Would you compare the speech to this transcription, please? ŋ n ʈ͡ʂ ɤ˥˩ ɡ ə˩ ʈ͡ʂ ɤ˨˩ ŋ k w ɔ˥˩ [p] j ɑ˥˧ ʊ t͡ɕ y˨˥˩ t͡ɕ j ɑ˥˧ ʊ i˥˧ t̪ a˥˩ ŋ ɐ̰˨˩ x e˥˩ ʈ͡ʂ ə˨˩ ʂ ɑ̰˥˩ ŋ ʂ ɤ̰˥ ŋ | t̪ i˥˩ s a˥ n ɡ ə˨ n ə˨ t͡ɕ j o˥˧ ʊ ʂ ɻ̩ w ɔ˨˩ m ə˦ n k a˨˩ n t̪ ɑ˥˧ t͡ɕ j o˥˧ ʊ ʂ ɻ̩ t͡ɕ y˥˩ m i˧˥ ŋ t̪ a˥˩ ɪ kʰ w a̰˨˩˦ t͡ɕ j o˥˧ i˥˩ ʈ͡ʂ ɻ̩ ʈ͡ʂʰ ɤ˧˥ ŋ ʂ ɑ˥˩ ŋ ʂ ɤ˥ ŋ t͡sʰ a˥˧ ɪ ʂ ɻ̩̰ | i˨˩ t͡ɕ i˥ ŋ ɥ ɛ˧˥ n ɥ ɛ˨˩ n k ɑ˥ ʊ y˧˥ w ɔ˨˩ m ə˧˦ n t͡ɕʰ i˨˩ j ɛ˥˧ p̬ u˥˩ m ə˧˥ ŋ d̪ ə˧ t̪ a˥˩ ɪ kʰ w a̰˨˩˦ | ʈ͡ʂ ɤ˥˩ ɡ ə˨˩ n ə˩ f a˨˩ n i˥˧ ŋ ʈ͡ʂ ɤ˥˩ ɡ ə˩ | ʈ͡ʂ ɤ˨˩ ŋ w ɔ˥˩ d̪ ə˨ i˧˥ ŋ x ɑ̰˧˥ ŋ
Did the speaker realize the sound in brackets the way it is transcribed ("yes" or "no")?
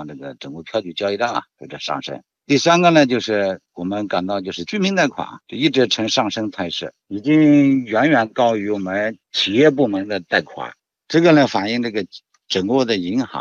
no